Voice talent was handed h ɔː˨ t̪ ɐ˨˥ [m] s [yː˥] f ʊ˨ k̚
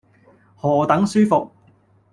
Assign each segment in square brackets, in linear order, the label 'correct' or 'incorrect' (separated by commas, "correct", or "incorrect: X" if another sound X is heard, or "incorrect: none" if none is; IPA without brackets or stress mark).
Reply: incorrect: ŋ, correct